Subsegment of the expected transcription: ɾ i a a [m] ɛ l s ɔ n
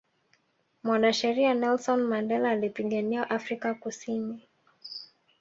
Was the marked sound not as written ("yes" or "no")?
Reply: yes